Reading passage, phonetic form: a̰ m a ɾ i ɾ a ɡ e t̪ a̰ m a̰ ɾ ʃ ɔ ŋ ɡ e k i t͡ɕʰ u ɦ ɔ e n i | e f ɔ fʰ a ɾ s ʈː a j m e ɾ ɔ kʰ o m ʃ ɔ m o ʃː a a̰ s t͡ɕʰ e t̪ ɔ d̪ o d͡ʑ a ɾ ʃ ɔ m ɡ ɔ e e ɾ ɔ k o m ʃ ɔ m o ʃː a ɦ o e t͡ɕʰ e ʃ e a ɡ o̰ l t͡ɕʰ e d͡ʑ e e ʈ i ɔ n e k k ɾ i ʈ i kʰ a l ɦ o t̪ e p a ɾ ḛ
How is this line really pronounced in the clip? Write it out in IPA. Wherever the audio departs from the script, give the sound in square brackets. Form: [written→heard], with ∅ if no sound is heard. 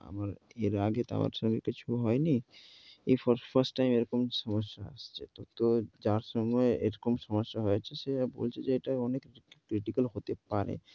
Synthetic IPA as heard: a̰ m a ɾ [i→e] ɾ a ɡ e t̪ a̰ m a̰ ɾ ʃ ɔ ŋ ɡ e k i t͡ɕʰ u ɦ ɔ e n i | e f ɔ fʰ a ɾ s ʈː a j m e ɾ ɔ [kʰ→k] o m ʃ ɔ m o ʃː a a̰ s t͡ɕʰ e t̪ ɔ [d̪→t̪] o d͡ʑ a ɾ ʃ ɔ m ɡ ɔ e e ɾ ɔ k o m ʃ ɔ m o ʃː a ɦ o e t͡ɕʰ e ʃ e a [ɡ→b] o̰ l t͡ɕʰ e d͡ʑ e e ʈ [i→a] ɔ n e k k ɾ i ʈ i [kʰ→k] a l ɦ o t̪ e p a ɾ ḛ